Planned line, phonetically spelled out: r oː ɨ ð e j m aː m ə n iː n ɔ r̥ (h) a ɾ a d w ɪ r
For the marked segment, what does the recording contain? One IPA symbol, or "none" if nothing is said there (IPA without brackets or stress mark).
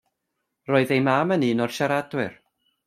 ʃ